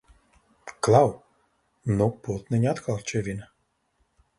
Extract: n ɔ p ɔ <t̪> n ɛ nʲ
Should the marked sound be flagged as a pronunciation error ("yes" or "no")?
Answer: no